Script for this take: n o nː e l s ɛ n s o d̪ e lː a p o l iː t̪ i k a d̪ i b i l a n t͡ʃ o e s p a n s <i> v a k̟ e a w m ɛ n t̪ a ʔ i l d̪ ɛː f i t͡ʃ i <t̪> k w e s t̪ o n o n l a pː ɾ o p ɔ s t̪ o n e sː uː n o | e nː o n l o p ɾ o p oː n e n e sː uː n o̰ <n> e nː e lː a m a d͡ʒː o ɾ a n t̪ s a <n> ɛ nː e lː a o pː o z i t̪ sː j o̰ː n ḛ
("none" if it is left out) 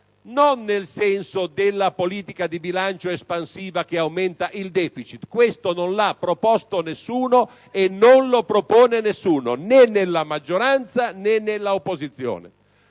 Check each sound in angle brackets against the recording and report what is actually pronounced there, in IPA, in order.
iː, t̪, n, n

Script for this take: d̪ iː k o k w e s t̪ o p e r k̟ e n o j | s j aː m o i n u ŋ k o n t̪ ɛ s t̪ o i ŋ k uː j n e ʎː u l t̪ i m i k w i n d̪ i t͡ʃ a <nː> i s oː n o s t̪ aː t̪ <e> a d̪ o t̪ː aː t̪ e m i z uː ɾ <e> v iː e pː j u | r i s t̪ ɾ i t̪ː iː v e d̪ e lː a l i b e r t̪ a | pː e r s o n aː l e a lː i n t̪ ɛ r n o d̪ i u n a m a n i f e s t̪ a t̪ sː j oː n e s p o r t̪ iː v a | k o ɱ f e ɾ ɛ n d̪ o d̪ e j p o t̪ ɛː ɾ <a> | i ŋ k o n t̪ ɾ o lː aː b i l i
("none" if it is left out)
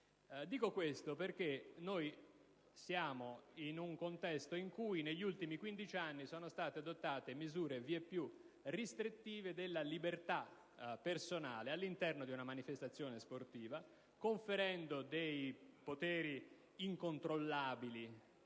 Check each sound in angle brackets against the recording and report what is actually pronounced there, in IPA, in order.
nː, e, e, i

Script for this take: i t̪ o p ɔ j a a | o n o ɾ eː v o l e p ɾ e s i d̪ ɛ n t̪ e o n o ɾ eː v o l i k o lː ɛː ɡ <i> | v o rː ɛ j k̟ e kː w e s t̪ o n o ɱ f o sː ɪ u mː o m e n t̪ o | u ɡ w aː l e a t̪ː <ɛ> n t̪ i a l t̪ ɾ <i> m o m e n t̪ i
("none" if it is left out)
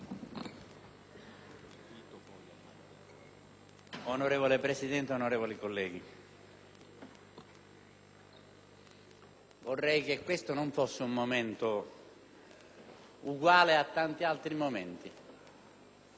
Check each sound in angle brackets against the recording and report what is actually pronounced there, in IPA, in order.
i, a, i

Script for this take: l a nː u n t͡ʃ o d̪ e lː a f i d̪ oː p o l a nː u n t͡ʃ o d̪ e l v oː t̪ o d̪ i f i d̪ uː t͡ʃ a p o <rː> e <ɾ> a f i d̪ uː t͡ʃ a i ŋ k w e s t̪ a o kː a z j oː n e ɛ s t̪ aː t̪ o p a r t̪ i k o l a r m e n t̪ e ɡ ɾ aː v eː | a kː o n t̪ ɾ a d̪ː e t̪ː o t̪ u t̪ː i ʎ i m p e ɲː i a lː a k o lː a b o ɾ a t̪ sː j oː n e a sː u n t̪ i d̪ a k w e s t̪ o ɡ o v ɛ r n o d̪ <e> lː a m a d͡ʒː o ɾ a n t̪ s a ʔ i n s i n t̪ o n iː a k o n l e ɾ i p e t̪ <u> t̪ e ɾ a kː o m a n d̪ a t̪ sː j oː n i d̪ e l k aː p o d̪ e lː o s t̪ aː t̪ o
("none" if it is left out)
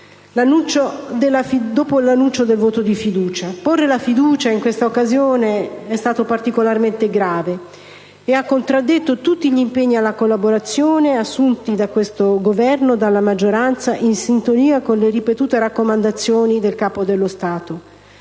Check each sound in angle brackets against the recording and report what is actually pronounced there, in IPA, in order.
rː, l, a, uː

